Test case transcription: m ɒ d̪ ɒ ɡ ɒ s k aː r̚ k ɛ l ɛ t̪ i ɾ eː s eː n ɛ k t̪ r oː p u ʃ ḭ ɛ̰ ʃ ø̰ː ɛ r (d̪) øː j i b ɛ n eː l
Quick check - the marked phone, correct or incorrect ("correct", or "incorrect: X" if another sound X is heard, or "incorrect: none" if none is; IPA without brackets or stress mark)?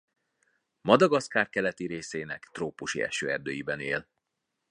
correct